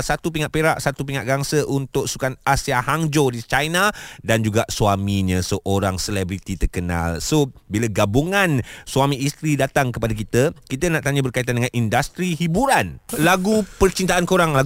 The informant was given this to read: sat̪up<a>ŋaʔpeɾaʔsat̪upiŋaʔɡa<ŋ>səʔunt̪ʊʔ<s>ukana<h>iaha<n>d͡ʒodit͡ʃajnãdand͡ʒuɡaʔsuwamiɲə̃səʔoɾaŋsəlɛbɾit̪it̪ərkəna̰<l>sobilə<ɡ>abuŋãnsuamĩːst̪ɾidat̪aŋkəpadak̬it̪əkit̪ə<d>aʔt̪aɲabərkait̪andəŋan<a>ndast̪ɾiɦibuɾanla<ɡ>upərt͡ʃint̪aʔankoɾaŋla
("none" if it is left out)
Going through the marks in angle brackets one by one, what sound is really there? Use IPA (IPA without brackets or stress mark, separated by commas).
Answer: i, ŋ, s, s, ŋ, l, ɡ, n, i, ɡ